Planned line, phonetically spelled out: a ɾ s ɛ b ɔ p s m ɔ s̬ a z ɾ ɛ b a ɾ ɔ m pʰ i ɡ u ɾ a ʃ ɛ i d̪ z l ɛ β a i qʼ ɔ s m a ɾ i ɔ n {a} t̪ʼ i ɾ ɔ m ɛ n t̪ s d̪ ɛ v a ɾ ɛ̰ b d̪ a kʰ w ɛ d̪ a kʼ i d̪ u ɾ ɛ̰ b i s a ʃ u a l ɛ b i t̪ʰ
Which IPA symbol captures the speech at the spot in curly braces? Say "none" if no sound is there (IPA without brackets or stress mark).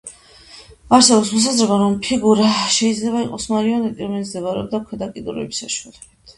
ɛ